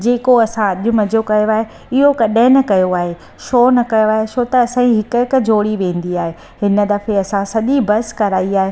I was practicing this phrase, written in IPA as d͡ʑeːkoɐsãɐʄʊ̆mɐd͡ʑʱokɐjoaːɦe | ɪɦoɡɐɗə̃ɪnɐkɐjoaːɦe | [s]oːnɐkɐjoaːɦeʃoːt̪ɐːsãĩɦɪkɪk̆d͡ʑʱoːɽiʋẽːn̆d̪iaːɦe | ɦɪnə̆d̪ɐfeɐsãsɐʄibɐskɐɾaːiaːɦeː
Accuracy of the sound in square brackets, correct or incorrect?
incorrect